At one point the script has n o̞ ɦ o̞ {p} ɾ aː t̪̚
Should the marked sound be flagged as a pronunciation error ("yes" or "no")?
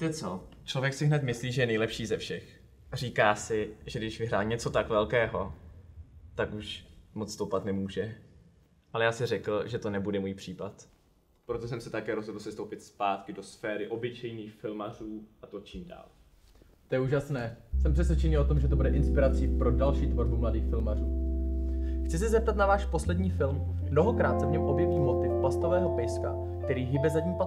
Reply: yes